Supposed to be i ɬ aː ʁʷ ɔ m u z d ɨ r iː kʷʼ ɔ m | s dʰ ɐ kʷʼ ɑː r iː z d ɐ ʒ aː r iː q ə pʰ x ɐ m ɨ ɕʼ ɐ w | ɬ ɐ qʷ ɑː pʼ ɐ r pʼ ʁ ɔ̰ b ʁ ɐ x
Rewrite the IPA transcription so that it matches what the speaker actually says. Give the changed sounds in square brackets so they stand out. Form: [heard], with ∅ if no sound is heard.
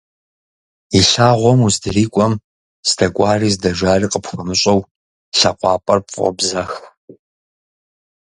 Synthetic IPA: i ɬ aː ʁʷ ɔ m u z d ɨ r iː kʷʼ ɔ m | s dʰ ɐ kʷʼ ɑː r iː z d ɐ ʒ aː r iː q ə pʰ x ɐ m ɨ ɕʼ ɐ w | ɬ ɐ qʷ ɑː pʼ ɐ r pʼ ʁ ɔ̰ b [z] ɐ x